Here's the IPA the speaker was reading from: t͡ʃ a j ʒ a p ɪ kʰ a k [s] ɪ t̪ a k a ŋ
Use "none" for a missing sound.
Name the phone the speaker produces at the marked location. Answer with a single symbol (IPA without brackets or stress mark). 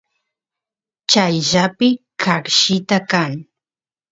ʃ